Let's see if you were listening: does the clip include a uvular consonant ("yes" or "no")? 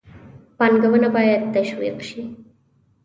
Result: yes